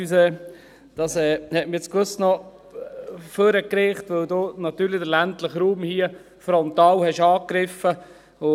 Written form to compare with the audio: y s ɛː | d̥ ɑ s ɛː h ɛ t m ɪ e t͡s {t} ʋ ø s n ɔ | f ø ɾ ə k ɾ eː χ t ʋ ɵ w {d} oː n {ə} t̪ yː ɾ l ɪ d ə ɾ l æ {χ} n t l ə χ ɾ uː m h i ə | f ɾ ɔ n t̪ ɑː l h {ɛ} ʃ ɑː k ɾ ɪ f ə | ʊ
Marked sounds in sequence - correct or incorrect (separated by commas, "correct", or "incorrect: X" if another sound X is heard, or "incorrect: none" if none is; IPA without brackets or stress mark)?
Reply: incorrect: k, correct, incorrect: ɑ, incorrect: none, correct